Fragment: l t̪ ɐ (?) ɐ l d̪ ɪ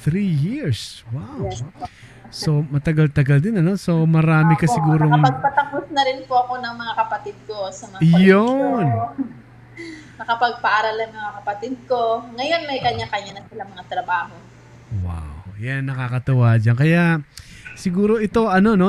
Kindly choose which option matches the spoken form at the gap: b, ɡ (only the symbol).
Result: ɡ